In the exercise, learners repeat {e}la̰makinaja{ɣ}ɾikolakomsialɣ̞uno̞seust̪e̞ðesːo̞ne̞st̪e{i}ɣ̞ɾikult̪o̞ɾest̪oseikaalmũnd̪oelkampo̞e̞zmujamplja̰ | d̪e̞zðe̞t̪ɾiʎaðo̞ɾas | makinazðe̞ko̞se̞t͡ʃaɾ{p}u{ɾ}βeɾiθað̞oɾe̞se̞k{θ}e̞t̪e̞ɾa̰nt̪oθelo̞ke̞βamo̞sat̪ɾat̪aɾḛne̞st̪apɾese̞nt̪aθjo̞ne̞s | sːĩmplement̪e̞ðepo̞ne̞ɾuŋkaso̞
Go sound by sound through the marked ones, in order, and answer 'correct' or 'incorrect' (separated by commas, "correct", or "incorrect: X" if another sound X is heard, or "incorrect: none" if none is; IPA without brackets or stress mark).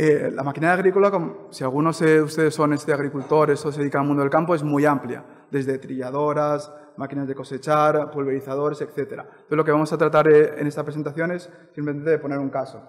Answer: correct, correct, incorrect: a, correct, incorrect: l, correct